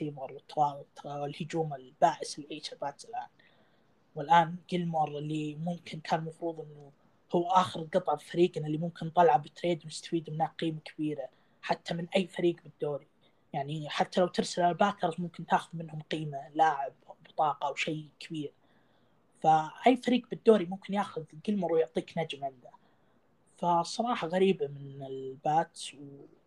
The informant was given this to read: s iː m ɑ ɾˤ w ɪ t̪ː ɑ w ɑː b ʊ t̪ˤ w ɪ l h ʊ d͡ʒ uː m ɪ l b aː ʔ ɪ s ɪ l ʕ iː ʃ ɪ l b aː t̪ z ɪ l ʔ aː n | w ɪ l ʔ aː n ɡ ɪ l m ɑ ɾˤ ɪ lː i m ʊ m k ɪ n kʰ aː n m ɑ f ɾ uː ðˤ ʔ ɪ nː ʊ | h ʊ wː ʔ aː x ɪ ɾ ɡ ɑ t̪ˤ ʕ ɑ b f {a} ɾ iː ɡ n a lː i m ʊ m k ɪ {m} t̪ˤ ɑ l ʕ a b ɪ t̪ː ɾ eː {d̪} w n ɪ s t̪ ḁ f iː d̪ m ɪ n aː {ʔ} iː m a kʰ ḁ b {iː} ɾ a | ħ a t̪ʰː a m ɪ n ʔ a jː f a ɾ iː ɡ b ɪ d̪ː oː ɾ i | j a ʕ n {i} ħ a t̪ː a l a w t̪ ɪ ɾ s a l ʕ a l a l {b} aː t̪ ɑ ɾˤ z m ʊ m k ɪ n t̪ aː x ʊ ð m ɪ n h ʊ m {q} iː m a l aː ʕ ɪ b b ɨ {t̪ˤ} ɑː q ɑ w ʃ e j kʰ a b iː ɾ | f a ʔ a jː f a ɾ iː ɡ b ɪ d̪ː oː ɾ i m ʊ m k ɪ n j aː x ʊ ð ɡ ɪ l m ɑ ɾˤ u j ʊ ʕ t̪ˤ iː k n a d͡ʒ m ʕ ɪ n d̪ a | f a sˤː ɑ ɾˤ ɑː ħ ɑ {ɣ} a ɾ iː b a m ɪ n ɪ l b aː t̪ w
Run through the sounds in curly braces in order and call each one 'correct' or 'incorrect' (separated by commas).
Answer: correct, incorrect, correct, incorrect, correct, correct, correct, correct, correct, correct